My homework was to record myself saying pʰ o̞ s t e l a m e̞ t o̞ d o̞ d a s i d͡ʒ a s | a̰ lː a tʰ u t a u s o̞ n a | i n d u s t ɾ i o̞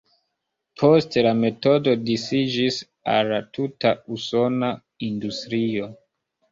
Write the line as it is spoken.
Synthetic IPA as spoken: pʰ o̞ s t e l a m e̞ t o̞ d o̞ d i s i d͡ʒ i s | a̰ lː a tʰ u t a u s o̞ n a | i n d u s t ɾ i o̞

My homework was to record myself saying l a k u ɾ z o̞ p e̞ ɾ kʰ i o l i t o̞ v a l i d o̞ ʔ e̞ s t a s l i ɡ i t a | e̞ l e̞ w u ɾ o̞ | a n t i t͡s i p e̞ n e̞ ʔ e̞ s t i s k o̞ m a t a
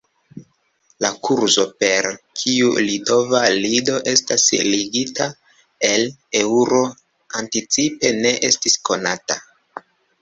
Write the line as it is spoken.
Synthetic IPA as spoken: l a k u ɾ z o̞ p e̞ ɾ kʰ i u l i t o̞ v a l i d o̞ ʔ e̞ s t a s l i ɡ i t a | e̞ l e̞ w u ɾ o̞ | a n t i t͡s i p e̞ n e̞ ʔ e̞ s t i s k o̞ n a t a

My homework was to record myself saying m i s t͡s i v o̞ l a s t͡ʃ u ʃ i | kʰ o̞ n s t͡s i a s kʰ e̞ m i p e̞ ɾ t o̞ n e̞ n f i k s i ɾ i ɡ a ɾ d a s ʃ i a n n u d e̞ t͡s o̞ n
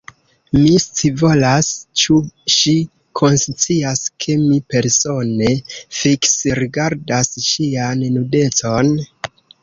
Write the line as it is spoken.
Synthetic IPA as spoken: m i s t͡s i v o̞ l a s t͡ʃ u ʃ i | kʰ o̞ n s t͡s i a s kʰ e̞ m i p e̞ ɾ s o̞ n e̞ f i k s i ɾ i ɡ a ɾ d a s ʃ i a n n u d e̞ t͡s o̞ n

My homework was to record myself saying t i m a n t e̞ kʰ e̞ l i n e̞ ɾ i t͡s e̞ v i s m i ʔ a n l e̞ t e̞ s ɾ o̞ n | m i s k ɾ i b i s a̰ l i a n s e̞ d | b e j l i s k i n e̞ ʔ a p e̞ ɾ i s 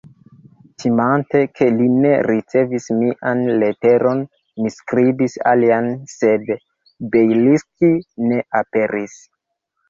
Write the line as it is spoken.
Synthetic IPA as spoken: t i m a n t e̞ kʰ e̞ l i n e̞ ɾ i t͡s e̞ v i s m i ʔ a n l e̞ t e̞ ɾ o̞ n | m i s k ɾ i b i s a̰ l i a n s e̞ d | b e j l i s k i n e̞ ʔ a p e̞ ɾ i s

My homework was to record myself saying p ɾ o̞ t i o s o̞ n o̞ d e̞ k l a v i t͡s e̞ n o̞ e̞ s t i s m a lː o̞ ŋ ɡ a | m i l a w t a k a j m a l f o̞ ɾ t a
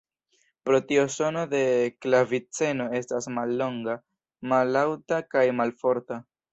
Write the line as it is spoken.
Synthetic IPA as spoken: p ɾ o̞ t i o s o̞ n o̞ d e̞ k l a v i t͡s e̞ n o̞ e̞ s t a s m a lː o̞ ŋ ɡ a | m a l a w t a k a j m a l f o̞ ɾ t a

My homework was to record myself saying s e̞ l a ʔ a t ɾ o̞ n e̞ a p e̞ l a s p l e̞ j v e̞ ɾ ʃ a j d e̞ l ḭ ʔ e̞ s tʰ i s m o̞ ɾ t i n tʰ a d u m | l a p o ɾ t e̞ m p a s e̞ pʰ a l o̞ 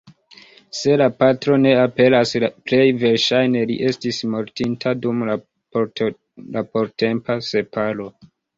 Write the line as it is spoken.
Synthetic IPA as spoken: s e̞ l a p a t ɾ o̞ n e̞ a p e̞ l a s p l e̞ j v e̞ ɾ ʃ a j n e̞ l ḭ ʔ e̞ s t i s m o̞ ɾ t i n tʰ a d u m | l a p o ɾ t e̞ m p a s e̞ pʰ a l o̞

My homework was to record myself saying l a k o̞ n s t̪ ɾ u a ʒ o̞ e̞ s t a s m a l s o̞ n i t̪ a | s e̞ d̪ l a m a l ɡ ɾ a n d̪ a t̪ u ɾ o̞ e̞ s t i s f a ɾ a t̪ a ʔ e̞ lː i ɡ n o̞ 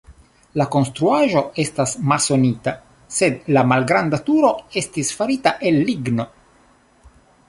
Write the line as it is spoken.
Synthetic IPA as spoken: l a k o̞ n s t̪ ɾ u a ʒ o̞ e̞ s t a s m a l s o̞ n i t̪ a | s e̞ d̪ l a m a l ɡ ɾ a n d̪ a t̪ u ɾ o̞ e̞ s t i s f a ɾ i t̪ a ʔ e̞ lː i ɡ n o̞

